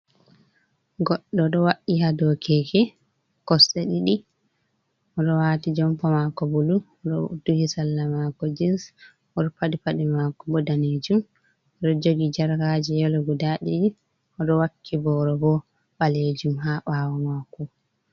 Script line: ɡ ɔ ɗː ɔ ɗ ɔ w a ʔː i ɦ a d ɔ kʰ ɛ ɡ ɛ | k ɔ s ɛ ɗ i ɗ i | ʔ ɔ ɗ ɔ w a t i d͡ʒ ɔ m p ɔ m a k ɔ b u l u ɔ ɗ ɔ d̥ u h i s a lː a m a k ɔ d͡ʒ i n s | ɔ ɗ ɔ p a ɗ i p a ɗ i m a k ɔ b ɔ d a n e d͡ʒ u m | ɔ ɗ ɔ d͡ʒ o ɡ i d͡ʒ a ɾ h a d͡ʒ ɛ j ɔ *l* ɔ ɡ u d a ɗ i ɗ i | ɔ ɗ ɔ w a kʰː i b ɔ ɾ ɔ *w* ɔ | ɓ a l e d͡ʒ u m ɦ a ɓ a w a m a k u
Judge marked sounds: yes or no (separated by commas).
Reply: yes, no